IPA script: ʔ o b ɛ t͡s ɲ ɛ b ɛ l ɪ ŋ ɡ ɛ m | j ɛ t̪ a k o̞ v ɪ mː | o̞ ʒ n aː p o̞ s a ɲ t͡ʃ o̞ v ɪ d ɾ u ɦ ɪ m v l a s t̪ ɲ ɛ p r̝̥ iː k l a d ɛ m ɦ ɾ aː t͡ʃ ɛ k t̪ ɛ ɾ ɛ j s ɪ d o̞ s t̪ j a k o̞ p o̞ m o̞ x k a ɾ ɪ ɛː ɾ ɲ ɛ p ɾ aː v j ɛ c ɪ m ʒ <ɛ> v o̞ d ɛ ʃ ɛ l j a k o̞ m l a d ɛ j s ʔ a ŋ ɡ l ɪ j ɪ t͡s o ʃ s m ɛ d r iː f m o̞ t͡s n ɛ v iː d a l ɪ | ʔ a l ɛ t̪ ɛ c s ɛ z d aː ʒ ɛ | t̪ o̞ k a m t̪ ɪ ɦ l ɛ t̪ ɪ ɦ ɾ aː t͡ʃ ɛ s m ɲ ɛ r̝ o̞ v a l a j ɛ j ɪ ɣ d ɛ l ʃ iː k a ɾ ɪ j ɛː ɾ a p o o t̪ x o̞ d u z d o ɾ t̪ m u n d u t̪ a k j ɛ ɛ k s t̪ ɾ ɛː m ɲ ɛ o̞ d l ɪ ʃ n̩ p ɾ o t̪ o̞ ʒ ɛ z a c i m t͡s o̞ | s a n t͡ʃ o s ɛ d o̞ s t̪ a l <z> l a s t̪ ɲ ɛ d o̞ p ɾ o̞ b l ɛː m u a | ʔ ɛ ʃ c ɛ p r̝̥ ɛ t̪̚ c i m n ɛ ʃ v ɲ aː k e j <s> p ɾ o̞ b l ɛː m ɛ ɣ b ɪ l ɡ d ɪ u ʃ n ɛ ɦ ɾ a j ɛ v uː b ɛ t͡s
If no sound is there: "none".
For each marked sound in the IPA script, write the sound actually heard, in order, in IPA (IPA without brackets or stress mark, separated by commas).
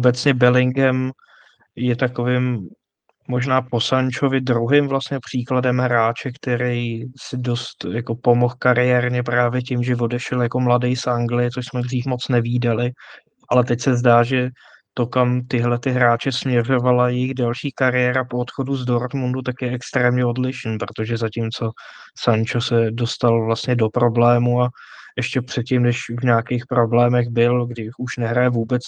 ɛ, v, x